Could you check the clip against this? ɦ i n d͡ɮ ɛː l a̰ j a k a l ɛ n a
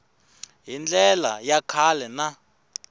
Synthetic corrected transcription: ɦ i n d͡ɮ ɛ l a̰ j a kʰ a l ɛ n a